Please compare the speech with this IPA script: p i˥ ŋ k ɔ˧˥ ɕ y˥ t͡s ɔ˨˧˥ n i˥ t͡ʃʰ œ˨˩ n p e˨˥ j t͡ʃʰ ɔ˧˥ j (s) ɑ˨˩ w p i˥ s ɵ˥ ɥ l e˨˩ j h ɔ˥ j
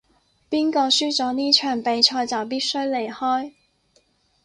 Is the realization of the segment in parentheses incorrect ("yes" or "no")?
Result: yes